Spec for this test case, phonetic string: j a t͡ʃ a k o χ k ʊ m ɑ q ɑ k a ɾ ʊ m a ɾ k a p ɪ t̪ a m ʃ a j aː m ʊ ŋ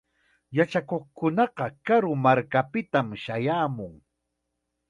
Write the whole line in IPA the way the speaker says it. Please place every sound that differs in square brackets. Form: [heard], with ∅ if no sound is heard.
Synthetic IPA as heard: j a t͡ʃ a k o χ k ʊ [n] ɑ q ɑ k a ɾ ʊ m a ɾ k a p ɪ t̪ a m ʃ a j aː m ʊ ŋ